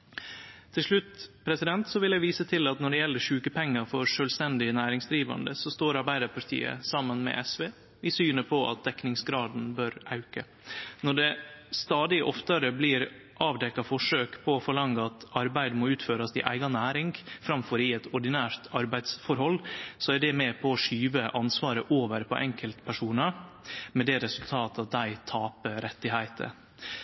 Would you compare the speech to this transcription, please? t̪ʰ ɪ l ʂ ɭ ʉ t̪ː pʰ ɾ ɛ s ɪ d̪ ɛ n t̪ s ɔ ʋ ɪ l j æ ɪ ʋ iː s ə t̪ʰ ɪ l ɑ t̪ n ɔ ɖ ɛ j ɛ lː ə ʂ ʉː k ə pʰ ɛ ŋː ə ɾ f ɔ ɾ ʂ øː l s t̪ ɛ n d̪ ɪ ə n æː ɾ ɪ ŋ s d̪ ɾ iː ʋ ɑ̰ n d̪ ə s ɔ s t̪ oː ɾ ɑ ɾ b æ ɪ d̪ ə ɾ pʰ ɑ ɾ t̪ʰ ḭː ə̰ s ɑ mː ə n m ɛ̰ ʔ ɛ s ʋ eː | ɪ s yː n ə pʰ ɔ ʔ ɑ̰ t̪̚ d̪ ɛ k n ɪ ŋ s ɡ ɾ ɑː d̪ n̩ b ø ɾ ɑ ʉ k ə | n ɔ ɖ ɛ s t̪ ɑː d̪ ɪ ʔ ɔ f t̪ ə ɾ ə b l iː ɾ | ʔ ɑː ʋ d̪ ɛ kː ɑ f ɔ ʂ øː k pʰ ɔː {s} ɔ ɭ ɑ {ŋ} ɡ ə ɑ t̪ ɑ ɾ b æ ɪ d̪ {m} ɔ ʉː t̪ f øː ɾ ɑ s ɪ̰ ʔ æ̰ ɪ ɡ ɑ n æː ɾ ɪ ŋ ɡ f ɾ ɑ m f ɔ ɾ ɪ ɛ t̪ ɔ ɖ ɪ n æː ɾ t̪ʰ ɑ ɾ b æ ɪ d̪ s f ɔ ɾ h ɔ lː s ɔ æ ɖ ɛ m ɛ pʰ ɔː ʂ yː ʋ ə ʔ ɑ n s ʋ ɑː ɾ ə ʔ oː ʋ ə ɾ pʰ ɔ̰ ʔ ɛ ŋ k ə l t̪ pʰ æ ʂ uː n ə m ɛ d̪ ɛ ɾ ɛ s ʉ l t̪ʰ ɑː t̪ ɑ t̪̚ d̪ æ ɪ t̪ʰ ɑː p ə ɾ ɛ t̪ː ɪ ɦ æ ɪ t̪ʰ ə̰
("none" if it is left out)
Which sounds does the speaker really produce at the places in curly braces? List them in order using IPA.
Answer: f, ŋ, m

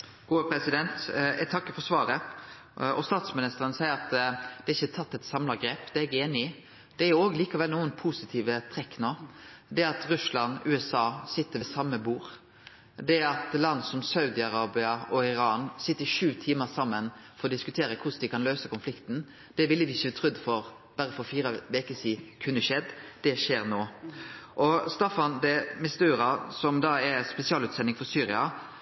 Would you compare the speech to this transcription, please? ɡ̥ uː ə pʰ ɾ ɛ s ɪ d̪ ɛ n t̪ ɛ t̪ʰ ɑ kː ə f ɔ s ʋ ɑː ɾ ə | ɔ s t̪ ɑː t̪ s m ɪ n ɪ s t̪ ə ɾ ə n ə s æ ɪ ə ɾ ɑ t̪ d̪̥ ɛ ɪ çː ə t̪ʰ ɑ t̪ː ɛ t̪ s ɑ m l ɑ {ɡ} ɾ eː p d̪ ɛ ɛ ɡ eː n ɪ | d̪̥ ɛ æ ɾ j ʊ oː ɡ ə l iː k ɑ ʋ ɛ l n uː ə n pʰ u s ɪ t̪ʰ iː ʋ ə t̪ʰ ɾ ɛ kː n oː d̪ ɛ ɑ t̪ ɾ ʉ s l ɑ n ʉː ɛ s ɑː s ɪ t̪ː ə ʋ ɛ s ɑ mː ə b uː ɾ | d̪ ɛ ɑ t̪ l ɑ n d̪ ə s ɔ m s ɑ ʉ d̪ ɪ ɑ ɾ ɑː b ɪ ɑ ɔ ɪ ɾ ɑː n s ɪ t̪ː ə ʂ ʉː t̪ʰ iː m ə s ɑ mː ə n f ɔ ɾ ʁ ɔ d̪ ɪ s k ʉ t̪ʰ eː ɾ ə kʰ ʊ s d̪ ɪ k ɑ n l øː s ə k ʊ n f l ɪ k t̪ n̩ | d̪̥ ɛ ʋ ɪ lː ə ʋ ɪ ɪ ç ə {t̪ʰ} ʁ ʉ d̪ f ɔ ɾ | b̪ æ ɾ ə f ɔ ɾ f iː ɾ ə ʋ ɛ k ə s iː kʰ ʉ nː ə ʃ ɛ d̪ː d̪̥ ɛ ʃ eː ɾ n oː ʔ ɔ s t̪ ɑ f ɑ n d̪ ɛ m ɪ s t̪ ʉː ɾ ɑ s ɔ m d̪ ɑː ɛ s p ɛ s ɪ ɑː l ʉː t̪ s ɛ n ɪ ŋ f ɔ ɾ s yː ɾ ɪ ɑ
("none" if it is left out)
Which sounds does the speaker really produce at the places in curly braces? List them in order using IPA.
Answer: ɡ, t̪ʰ

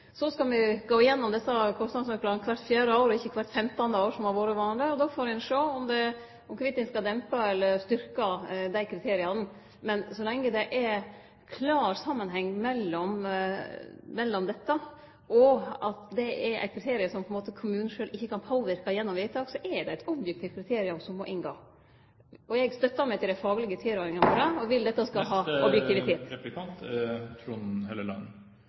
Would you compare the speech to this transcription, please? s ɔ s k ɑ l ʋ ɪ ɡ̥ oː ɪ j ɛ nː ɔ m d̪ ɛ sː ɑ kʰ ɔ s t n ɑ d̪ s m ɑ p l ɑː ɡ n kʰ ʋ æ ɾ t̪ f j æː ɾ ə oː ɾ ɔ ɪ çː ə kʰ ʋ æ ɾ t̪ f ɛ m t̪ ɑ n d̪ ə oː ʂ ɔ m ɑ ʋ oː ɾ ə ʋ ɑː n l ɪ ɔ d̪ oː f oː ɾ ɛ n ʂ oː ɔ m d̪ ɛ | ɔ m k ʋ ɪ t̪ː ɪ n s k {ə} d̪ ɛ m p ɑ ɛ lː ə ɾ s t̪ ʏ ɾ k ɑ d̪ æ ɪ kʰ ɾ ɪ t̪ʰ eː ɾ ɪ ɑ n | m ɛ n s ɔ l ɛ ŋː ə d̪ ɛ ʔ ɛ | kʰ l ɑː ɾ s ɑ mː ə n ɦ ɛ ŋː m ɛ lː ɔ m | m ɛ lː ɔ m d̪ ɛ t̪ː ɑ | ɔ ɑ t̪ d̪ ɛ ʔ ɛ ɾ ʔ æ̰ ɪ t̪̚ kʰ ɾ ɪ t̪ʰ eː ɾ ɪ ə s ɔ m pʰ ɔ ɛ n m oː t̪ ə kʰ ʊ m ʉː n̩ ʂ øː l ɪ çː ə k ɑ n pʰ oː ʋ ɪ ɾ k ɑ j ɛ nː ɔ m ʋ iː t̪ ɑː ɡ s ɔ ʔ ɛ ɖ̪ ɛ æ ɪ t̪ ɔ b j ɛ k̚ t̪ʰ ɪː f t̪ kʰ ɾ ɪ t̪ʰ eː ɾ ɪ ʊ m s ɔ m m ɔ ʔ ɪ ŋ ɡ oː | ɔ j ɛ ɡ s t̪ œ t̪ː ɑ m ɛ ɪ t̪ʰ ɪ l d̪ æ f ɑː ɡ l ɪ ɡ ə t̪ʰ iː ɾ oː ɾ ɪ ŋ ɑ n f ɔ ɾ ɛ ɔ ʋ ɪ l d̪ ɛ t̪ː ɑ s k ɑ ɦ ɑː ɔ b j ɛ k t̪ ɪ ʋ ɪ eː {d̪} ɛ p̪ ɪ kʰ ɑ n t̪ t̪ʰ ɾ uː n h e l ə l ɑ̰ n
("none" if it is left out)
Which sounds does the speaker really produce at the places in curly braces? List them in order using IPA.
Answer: ɑ, t̪

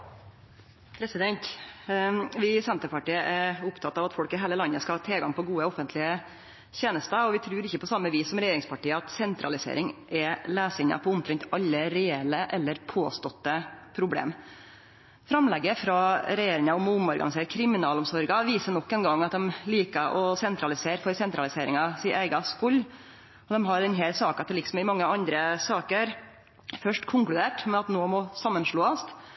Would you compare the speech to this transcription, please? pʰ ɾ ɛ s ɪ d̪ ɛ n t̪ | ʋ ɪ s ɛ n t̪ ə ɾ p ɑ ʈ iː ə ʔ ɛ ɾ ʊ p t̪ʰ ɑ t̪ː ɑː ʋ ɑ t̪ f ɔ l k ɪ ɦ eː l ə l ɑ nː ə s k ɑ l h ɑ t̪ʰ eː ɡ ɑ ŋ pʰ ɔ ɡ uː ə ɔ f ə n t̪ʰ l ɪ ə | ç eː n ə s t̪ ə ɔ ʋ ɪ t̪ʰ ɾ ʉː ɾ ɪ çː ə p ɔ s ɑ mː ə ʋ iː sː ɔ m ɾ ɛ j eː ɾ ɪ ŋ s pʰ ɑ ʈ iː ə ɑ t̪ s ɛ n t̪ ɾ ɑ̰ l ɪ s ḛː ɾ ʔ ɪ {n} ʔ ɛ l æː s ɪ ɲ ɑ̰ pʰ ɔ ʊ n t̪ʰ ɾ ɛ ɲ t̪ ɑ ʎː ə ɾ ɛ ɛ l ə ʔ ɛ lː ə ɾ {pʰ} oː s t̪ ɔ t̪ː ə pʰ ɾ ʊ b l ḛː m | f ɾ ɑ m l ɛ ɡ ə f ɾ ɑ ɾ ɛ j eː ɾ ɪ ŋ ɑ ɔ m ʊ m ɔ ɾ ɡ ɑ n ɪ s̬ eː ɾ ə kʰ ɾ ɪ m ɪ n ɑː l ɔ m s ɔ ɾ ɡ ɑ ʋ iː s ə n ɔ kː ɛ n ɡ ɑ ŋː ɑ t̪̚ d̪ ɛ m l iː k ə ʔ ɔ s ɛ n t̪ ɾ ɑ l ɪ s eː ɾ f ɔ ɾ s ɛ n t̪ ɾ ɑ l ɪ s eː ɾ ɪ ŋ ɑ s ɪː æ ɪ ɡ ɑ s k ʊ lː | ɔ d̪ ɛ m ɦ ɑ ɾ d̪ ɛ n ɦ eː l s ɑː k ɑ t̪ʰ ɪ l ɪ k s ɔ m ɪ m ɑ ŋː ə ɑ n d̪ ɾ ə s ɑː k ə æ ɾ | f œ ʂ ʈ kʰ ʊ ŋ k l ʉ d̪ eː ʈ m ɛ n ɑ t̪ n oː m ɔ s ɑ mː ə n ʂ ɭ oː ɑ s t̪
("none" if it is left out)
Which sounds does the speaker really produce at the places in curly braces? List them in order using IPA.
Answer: ŋ, pʰ

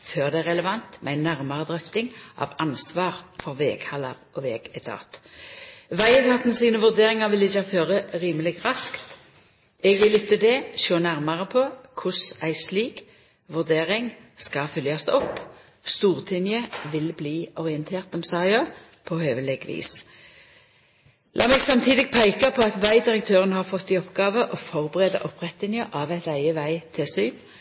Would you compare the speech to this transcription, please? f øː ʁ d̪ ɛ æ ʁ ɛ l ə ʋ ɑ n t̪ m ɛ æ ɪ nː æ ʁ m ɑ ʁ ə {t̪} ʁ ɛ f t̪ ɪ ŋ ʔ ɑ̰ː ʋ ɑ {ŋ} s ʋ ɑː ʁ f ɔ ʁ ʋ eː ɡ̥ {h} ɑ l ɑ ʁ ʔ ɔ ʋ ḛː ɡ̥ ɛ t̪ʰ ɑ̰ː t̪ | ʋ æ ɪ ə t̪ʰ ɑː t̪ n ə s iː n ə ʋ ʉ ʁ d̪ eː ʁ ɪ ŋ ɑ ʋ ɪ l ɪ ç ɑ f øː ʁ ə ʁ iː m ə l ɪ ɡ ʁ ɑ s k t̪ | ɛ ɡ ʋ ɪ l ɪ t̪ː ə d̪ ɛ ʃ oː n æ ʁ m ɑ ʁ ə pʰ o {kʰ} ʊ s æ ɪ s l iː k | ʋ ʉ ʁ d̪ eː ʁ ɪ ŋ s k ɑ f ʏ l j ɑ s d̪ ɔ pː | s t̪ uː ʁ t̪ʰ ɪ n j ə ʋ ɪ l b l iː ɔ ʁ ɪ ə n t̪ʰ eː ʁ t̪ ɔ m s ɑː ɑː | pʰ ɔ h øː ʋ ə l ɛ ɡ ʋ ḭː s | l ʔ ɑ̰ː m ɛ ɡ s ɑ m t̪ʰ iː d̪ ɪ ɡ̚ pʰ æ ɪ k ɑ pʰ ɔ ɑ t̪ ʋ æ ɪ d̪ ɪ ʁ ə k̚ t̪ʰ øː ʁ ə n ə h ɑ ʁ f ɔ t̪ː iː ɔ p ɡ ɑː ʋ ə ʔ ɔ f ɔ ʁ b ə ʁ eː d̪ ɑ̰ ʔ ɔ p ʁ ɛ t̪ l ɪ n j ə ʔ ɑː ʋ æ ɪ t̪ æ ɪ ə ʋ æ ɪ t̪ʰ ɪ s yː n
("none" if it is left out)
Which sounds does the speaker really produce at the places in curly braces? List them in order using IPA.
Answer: d̪, n, h, kʰ

